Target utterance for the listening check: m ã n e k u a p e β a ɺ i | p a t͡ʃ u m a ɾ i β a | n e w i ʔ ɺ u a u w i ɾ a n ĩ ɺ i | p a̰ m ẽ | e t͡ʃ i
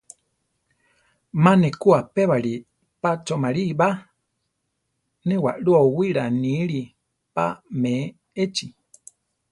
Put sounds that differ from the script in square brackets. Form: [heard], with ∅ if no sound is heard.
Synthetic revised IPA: m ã n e k u a p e β a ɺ i | p a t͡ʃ [o] m a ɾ i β a | n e w [a] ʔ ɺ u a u w i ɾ a n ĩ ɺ i | p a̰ m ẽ | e t͡ʃ i